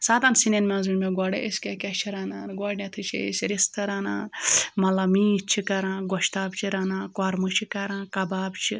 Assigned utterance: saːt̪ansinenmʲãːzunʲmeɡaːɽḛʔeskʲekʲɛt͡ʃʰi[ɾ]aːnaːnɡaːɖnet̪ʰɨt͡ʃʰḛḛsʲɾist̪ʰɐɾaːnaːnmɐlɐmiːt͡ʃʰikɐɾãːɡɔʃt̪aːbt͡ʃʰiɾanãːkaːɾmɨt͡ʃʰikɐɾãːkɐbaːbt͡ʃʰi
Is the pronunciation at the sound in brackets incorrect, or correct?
correct